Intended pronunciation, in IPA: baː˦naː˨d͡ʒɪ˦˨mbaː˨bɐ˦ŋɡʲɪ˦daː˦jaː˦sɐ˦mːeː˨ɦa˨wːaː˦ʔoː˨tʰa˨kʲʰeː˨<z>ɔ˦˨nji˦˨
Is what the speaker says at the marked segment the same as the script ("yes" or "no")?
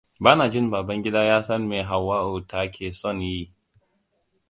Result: no